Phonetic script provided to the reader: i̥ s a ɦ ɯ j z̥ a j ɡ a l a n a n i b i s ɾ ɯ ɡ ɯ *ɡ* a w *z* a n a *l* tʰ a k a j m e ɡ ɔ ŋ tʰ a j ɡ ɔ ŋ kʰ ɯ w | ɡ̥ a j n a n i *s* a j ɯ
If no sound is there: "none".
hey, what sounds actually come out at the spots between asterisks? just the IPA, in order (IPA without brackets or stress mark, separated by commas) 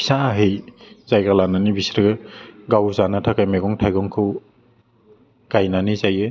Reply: ɡ, z, none, z